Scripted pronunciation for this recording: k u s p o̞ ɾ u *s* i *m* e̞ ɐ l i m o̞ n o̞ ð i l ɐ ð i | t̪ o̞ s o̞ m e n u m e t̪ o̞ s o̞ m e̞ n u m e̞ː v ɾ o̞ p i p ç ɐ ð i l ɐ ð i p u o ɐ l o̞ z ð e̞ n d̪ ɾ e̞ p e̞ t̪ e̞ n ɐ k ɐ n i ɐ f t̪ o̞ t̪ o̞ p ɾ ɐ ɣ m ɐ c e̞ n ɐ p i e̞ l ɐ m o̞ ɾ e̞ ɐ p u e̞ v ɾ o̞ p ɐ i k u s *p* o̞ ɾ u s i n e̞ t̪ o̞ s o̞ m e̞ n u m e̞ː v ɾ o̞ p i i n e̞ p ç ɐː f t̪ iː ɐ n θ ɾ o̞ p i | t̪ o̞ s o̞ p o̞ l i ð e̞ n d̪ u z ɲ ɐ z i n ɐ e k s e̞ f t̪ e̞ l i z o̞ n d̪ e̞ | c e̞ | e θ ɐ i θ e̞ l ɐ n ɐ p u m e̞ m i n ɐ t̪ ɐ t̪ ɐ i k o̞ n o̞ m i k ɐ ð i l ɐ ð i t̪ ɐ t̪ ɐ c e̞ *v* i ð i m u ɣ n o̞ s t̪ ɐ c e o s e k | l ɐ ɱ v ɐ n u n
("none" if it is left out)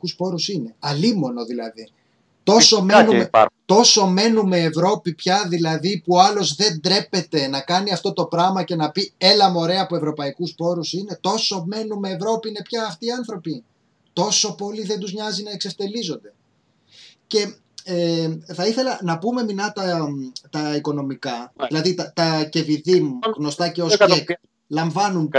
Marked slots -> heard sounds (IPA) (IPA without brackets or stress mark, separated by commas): s, n, p, v